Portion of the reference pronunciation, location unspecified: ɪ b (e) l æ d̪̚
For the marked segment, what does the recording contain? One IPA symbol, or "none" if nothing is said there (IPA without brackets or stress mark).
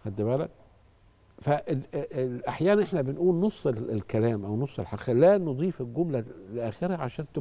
æ